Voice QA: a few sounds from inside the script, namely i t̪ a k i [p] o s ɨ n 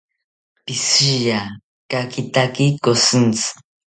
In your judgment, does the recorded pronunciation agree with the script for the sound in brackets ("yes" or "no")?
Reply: no